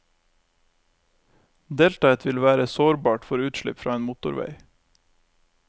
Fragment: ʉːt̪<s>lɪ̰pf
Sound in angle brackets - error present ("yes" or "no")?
yes